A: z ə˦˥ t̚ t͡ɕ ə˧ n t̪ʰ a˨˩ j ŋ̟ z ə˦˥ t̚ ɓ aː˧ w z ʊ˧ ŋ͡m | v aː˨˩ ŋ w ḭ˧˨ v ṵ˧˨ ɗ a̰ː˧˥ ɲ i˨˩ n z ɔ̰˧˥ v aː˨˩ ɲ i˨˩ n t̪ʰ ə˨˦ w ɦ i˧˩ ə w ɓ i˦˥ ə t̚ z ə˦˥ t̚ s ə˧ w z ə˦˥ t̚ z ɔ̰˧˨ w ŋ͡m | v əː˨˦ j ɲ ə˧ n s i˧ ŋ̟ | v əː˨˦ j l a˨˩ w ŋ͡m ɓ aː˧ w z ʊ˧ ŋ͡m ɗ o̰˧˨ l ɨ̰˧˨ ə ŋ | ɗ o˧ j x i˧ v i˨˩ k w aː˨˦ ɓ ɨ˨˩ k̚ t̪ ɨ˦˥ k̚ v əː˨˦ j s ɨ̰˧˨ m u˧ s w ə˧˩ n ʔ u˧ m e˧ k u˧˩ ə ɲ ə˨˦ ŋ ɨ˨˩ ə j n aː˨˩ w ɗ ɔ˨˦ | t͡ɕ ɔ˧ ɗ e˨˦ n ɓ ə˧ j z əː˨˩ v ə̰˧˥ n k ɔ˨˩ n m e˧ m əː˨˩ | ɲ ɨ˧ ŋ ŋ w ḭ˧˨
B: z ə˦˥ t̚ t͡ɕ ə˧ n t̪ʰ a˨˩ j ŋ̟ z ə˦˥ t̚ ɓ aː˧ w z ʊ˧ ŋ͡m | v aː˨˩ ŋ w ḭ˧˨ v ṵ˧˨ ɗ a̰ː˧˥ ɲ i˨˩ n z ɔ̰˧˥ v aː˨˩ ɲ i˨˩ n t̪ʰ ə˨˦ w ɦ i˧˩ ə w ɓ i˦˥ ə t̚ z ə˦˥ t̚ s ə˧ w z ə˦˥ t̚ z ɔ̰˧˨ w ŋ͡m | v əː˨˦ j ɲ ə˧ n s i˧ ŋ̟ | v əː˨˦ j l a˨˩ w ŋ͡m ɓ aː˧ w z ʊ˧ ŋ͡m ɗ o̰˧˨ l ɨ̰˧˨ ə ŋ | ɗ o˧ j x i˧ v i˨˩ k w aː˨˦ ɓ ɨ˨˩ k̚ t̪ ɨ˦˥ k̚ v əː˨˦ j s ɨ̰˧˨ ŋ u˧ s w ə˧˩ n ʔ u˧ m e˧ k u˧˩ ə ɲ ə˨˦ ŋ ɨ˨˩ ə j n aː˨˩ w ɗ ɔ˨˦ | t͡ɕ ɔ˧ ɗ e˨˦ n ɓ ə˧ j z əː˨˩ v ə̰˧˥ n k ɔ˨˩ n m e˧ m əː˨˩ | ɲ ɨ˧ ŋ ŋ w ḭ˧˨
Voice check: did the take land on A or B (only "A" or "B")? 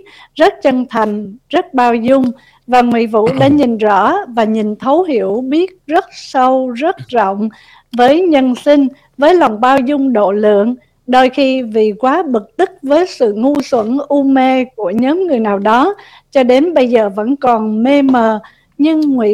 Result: B